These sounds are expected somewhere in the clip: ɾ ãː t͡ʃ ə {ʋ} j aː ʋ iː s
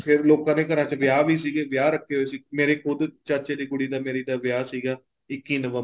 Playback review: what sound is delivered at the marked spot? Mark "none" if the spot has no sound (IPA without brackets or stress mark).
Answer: ʋ